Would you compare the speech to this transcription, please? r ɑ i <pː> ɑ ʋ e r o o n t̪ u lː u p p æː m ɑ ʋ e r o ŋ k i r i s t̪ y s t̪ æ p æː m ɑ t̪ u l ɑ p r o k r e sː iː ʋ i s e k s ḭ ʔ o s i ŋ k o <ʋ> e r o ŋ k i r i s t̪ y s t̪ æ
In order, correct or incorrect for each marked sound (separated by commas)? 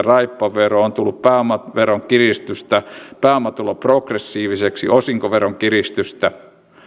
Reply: correct, correct